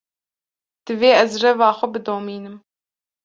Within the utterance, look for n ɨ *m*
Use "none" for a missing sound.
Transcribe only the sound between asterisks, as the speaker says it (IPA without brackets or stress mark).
m